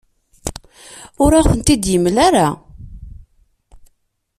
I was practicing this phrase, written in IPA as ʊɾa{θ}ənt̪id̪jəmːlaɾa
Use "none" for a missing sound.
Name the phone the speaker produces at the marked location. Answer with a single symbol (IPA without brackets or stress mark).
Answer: θ